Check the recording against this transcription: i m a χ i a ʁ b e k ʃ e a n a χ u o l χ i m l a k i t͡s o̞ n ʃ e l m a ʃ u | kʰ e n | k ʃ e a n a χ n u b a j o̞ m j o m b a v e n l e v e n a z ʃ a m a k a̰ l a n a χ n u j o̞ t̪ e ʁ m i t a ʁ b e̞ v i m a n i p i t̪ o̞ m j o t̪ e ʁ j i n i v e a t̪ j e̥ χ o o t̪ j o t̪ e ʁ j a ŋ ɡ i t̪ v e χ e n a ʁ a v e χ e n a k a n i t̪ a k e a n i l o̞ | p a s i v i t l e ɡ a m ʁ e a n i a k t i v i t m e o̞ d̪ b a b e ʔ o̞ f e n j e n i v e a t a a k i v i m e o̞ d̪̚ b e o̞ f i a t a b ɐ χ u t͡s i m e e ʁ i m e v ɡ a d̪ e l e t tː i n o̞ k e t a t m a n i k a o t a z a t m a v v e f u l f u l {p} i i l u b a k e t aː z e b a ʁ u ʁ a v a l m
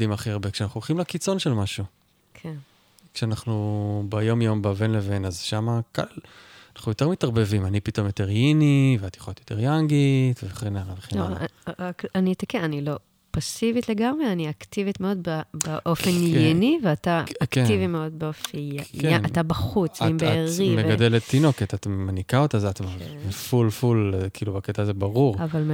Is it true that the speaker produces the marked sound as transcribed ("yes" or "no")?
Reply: no